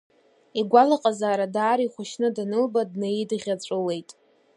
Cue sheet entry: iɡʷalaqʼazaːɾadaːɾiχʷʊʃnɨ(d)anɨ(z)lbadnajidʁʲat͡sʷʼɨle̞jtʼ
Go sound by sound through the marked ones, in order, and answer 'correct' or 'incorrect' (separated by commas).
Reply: correct, incorrect